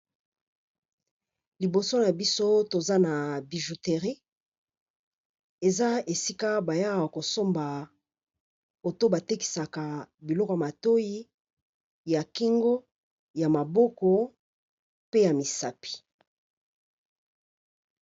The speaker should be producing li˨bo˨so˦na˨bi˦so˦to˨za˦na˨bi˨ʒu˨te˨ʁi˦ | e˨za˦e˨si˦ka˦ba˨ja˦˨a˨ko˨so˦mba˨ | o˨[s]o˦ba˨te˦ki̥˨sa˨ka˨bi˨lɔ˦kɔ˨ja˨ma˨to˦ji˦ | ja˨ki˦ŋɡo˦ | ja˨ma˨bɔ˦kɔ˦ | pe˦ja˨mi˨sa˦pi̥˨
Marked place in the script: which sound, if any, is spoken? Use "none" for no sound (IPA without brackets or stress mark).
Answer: t